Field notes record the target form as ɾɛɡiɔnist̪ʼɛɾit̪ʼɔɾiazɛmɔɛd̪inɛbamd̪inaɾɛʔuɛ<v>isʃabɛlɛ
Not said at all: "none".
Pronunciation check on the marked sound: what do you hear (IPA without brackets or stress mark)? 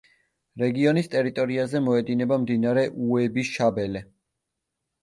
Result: b